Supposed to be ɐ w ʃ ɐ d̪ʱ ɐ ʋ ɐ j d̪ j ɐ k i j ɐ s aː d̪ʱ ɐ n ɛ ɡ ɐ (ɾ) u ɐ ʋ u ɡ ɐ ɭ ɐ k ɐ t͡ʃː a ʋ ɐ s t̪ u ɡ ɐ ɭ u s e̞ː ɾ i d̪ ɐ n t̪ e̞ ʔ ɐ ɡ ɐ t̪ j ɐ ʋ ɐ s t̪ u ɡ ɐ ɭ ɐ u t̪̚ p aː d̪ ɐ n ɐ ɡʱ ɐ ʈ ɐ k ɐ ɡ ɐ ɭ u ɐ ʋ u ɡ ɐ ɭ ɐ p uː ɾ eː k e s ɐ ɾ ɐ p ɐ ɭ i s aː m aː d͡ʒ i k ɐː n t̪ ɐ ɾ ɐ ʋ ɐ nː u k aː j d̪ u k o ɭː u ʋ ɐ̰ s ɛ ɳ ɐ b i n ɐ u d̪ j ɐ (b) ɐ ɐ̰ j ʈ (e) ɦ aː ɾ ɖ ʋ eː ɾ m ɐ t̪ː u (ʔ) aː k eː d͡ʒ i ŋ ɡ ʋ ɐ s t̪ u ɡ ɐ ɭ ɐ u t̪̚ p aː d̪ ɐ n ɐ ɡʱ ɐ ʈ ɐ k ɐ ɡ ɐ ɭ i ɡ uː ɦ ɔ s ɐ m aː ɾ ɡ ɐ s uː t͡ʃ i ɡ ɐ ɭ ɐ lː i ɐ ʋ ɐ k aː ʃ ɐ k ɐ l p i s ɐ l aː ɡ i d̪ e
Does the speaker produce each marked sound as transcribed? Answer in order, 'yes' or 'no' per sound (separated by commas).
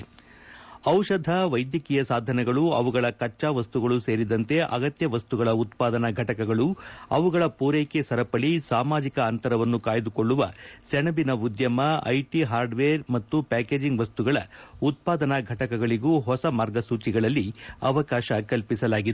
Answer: no, no, no, no